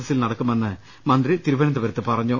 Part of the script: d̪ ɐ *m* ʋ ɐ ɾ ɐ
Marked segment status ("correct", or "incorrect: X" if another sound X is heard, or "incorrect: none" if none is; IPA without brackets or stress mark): incorrect: none